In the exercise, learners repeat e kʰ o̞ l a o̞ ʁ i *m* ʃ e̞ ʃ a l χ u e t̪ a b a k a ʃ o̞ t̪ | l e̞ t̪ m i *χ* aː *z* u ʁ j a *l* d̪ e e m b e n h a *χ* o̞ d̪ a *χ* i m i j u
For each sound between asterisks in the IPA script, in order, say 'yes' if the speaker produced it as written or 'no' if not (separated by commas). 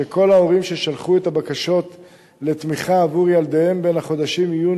yes, yes, no, yes, yes, no